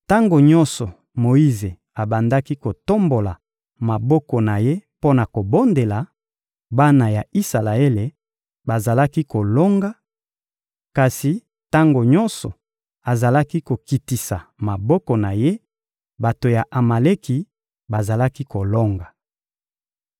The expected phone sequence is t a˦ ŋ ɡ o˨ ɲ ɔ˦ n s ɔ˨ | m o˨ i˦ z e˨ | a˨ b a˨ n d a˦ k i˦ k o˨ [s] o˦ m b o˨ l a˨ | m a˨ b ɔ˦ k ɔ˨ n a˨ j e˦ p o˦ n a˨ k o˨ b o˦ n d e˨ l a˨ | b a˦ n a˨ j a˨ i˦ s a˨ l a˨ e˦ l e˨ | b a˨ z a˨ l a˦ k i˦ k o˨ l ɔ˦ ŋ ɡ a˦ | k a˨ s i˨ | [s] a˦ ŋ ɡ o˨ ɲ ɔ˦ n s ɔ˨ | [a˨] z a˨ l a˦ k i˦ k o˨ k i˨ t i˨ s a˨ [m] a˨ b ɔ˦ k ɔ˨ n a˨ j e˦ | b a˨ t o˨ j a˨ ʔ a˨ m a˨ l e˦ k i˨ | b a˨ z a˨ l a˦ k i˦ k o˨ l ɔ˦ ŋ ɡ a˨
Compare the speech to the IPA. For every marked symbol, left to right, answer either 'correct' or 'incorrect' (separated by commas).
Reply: incorrect, incorrect, correct, correct